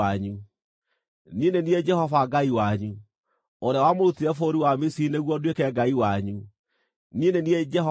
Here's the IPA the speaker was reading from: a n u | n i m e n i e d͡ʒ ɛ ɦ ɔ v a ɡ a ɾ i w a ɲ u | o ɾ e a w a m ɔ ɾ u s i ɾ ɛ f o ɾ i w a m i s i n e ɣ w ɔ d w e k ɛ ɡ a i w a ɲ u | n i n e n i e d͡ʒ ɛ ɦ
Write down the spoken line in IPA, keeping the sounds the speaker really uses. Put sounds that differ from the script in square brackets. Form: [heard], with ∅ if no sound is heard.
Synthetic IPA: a [ɲ] u | n i [n] e n i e d͡ʒ ɛ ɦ ɔ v a ɡ a [∅] i w a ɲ u | o ɾ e a w a m [o] ɾ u [t] i ɾ ɛ f o ɾ i w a m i s i n e ɣ w ɔ d w e k ɛ ɡ a i w a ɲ u | n i n e n i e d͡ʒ ɛ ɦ